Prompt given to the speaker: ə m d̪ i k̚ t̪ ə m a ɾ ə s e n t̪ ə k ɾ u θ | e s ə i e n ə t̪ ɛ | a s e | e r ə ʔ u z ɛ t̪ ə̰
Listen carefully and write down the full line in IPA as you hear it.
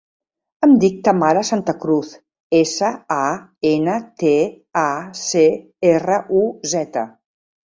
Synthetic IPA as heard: ə m d̪ i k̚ t̪ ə m a ɾ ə s a n t̪ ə k ɾ u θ | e s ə a e n ə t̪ e | a s e | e r ə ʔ u z ɛ t̪ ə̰